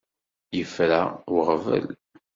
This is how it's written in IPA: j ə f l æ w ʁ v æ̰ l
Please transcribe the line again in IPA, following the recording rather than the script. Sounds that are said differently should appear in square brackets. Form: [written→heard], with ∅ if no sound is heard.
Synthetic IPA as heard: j ə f [l→ɾ] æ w ʁ v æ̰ l